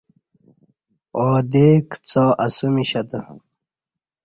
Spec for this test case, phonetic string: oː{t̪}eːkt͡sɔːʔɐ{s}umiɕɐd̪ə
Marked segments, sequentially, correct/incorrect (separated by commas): incorrect, correct